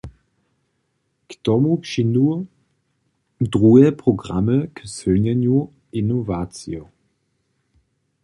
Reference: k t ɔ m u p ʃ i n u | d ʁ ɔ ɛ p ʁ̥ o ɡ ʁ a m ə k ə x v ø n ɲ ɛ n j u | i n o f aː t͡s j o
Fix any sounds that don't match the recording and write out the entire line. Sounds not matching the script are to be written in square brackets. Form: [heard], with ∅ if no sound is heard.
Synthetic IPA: k t ɔ m u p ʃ i n u | d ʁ [u] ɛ p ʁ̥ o ɡ ʁ a m ə k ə [s] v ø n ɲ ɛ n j u | i n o [v] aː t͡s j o